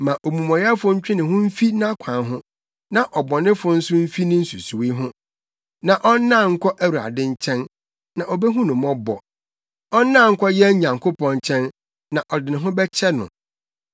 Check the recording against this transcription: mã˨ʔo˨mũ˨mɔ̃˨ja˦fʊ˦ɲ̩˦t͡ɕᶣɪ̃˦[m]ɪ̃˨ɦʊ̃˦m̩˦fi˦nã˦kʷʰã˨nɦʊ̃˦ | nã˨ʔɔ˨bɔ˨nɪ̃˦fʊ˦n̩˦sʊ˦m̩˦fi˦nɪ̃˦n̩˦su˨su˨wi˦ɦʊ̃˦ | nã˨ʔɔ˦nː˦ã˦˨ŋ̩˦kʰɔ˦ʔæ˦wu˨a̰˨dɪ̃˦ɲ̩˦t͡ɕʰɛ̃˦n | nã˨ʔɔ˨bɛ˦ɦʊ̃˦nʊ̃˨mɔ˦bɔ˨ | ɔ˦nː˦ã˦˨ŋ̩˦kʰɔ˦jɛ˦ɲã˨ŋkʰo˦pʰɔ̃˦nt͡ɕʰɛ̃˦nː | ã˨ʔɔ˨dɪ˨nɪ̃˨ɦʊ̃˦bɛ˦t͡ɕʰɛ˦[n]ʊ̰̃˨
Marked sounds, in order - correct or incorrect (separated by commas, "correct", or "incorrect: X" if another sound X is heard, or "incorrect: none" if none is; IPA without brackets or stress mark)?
incorrect: n, correct